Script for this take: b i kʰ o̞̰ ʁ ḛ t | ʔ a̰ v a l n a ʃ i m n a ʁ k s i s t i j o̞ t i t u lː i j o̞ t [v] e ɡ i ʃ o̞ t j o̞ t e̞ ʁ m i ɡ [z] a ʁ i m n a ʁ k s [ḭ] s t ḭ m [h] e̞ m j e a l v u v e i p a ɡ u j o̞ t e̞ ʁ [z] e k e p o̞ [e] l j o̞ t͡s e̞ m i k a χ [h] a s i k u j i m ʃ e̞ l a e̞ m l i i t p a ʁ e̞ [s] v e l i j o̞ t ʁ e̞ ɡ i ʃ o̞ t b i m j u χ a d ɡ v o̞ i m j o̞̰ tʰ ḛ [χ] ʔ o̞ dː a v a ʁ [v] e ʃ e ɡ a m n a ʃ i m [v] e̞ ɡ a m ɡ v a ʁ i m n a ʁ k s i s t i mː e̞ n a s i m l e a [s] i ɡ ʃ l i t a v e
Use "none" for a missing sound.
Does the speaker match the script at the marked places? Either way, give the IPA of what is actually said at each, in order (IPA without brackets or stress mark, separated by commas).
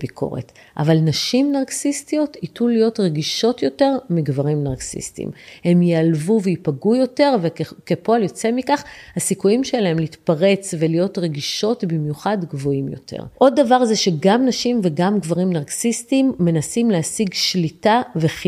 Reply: ʁ, v, ḭ, h, v, a, h, t͡s, ʁ, z, v, s